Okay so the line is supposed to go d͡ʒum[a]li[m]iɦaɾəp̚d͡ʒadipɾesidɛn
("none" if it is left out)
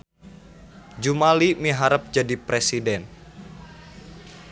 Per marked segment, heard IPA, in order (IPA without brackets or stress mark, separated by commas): a, m